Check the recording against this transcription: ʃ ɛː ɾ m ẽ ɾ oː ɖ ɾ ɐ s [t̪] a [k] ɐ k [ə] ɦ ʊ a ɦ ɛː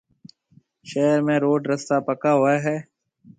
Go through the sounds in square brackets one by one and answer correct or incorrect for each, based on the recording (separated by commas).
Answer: correct, incorrect, incorrect